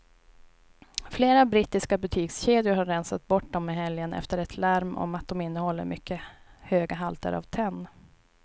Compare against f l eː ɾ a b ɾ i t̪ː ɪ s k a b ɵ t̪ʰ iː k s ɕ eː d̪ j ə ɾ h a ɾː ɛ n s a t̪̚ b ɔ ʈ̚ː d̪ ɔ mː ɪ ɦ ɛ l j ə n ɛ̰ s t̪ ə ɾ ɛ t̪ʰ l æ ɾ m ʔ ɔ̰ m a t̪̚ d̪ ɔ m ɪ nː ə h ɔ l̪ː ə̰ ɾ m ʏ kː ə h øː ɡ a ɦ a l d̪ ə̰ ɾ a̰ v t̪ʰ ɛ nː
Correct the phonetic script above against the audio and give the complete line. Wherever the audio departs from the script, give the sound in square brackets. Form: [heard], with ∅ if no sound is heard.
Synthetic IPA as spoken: f l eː ɾ a b ɾ i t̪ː ɪ s k a b ɵ t̪ʰ iː k s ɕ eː d̪ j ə ɾ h a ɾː ɛ n s a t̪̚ b ɔ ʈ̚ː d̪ ɔ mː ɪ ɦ ɛ l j ə n ɛ̰ [f] t̪ ə ɾ ɛ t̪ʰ l æ ɾ m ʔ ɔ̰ m a t̪̚ d̪ ɔ m ɪ nː ə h ɔ l̪ː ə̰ ɾ m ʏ kː ə h øː ɡ a ɦ a l [t̪] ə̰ ɾ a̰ v t̪ʰ ɛ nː